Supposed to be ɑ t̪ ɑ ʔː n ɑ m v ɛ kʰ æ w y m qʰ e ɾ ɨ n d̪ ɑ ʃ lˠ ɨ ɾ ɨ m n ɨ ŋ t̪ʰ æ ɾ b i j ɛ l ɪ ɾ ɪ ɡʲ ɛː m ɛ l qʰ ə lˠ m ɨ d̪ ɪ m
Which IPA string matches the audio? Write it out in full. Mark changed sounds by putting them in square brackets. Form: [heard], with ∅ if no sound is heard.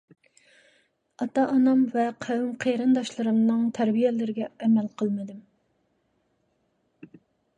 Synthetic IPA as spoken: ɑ t̪ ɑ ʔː n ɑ m v ɛ [qʰ] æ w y m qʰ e ɾ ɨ n d̪ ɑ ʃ lˠ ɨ ɾ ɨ m n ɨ ŋ t̪ʰ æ ɾ b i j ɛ l ɪ ɾ ɪ ɡʲ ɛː m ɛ l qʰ ə lˠ m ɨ d̪ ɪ m